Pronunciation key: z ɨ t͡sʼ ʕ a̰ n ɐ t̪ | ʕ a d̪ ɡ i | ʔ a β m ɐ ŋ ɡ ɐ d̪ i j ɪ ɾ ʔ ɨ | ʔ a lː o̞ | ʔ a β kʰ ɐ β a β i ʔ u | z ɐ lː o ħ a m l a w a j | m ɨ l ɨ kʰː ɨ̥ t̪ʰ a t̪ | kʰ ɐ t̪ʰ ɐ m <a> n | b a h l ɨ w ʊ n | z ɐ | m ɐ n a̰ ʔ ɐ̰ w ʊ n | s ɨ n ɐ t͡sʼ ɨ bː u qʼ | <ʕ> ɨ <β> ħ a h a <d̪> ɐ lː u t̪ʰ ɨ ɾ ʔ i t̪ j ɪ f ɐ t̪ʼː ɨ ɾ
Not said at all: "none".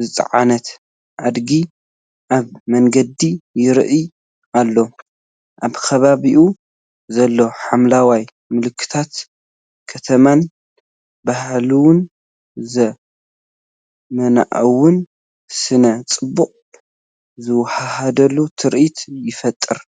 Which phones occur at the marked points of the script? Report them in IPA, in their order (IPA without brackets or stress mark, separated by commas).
a, z, w, d̪